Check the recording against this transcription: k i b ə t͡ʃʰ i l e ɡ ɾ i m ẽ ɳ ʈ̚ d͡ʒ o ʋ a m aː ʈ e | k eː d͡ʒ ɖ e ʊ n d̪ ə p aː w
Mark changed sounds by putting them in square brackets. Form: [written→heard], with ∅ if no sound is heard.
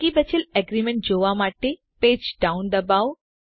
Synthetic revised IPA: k i b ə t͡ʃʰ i l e ɡ ɾ i m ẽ ɳ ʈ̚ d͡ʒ o ʋ a m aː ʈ e | [k→p] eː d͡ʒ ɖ [e→a] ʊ n d̪ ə [p→b] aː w